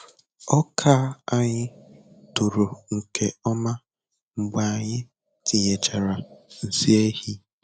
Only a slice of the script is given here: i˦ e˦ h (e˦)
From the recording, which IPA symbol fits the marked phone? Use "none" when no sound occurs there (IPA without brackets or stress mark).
i˦